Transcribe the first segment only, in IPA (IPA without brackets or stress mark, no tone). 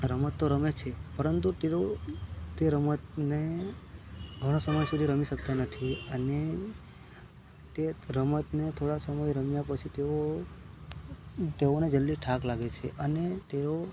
ɾ